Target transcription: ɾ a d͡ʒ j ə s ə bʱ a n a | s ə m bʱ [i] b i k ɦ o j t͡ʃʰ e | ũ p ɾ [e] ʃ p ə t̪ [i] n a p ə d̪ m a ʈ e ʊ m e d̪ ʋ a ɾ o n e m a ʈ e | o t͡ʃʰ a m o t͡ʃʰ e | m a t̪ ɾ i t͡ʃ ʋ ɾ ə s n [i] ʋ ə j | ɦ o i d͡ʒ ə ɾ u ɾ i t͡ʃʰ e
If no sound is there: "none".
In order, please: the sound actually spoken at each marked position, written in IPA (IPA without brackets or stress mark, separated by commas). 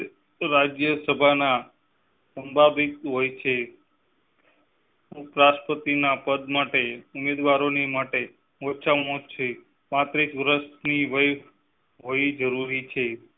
a, a, i, i